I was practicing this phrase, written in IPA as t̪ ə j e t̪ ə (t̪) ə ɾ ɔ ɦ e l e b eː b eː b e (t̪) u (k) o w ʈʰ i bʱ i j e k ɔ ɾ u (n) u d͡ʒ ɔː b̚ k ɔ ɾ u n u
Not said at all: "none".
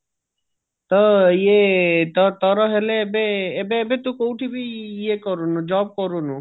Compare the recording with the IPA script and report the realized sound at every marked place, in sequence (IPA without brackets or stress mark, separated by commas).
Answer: t̪, t̪, k, n